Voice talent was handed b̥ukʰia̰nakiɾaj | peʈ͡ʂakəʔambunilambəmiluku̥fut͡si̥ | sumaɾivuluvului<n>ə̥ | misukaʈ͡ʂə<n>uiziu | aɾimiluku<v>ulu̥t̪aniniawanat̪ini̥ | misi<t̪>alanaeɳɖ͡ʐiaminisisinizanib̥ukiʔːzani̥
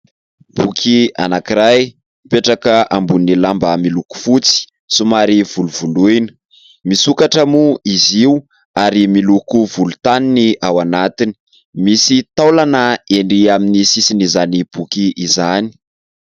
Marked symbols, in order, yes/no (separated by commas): yes, no, yes, yes